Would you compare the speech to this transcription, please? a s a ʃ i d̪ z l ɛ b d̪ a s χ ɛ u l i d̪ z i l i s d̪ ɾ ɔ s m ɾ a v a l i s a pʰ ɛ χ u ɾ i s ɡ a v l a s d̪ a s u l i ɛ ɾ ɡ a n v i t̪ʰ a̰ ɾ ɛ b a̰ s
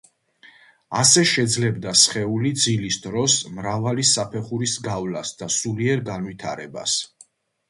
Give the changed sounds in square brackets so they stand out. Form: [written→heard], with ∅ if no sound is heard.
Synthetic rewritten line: a s [a→ɛ] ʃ [i→ɛ] d̪ z l ɛ b d̪ a s χ ɛ u l i d̪ z i l i s d̪ ɾ ɔ s m ɾ a v a l i s a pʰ ɛ χ u ɾ i s ɡ a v l a s d̪ a s u l i ɛ ɾ ɡ a n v i t̪ʰ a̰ ɾ ɛ b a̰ s